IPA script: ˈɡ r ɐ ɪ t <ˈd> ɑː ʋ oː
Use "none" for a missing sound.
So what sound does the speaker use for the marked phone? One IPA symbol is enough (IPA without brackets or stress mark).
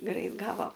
ɡ